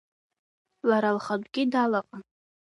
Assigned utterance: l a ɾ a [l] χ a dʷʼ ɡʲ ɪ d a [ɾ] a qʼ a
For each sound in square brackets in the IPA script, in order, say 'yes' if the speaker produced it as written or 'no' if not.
yes, no

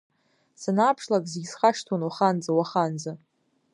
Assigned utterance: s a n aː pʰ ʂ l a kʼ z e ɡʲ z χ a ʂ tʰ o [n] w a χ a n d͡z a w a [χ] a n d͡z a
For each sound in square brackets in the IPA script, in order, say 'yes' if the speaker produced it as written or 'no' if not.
yes, yes

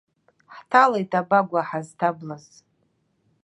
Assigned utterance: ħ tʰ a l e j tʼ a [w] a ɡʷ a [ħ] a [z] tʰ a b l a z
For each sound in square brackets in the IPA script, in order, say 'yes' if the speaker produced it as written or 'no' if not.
no, yes, yes

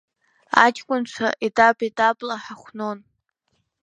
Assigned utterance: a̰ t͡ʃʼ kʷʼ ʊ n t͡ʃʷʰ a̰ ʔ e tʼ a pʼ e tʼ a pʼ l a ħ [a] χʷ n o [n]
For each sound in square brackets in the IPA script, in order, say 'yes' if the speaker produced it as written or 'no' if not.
yes, yes

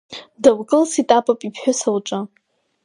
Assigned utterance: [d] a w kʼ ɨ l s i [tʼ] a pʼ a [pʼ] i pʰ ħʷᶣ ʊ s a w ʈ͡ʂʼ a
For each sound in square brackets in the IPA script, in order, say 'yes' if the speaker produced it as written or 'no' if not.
yes, yes, yes

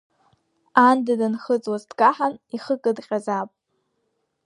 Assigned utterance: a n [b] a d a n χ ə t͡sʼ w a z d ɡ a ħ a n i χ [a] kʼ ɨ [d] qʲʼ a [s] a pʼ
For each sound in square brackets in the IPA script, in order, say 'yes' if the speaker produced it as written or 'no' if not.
no, no, yes, no

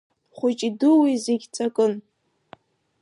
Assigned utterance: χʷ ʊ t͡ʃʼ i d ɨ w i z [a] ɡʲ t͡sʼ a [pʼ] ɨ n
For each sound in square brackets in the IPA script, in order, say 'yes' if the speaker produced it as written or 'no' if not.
no, no

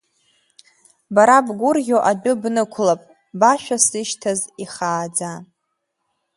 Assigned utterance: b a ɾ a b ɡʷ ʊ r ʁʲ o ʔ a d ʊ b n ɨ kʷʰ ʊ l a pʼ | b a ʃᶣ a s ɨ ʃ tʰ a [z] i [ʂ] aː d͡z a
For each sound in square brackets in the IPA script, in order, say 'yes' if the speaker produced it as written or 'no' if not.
yes, no

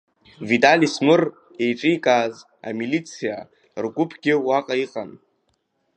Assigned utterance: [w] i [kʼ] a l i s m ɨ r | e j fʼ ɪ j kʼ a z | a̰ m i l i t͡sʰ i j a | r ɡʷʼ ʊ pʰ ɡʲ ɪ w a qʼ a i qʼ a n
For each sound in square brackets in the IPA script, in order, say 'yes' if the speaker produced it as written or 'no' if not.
no, no

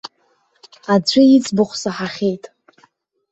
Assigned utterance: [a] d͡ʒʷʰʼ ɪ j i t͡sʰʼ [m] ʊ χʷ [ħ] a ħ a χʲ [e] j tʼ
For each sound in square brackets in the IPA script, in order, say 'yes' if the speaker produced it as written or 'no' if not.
yes, no, no, yes

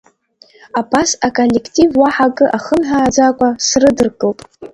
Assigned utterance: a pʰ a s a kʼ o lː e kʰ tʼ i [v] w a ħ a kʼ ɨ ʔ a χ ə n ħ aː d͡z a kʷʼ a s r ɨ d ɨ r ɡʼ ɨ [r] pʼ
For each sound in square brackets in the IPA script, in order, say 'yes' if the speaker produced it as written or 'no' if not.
yes, no

